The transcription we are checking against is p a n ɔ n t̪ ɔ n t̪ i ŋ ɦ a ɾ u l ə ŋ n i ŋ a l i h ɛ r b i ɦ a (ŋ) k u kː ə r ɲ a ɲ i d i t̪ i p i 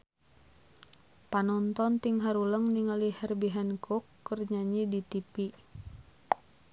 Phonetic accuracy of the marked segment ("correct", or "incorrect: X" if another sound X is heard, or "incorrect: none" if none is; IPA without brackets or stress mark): incorrect: n